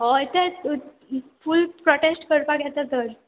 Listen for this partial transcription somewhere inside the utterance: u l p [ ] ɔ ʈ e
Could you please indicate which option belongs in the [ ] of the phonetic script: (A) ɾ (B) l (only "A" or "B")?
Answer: A